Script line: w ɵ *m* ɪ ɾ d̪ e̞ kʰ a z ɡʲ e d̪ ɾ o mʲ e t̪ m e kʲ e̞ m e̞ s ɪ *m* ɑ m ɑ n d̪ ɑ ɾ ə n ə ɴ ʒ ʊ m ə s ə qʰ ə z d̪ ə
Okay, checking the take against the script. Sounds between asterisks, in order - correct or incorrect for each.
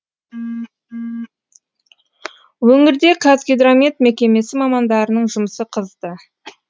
incorrect: ŋ, correct

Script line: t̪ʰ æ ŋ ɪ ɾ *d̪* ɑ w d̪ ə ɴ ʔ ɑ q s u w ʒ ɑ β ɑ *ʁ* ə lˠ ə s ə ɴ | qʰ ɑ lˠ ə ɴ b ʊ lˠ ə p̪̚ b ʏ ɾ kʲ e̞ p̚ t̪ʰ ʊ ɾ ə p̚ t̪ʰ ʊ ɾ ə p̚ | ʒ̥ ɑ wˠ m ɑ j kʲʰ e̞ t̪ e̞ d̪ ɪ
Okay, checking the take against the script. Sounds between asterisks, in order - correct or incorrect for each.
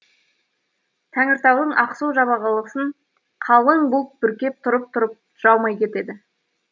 incorrect: t̪, correct

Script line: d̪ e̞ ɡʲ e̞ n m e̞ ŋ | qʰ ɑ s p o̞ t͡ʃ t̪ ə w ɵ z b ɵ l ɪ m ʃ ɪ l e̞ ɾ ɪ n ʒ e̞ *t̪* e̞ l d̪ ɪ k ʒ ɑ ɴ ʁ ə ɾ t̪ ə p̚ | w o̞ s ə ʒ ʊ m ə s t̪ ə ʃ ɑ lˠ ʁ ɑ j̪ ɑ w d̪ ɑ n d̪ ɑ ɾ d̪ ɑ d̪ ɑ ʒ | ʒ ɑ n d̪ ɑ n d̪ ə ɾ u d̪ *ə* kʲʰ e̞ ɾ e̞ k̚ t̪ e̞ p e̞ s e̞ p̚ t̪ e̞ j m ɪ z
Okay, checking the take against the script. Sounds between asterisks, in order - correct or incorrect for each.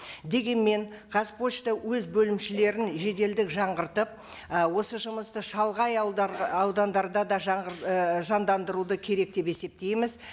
incorrect: d̪, correct

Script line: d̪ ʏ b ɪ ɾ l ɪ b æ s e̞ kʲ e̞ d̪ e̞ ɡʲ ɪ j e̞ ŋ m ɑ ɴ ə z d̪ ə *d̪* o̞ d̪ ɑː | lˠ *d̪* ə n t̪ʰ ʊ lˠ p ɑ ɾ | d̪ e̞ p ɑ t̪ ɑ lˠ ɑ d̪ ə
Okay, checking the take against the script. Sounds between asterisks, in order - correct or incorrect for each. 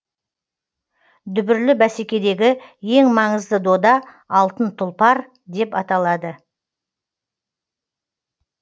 correct, incorrect: t̪

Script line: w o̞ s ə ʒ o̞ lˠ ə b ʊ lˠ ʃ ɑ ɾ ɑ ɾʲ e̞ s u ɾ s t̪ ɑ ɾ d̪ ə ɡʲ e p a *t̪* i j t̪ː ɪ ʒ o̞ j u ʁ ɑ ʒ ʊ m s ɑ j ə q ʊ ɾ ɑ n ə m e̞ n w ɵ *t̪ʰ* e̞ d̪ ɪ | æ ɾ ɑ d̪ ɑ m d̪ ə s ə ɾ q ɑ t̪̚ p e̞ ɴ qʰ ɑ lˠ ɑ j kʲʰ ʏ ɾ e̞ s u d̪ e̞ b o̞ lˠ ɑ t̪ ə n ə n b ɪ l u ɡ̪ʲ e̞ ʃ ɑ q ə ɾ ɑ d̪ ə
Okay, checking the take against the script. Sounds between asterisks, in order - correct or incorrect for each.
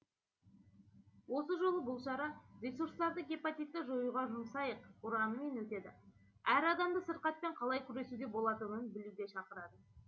correct, incorrect: t̪

